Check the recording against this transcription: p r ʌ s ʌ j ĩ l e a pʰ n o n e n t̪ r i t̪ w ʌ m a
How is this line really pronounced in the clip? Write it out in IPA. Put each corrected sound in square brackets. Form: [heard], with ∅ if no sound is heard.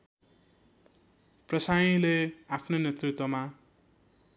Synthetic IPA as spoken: p r ʌ s [a] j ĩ l e a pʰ n o n e [∅] t̪ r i t̪ w ʌ m a